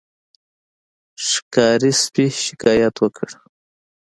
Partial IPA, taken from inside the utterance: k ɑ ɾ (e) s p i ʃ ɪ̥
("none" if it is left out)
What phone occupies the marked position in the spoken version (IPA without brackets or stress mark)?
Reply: i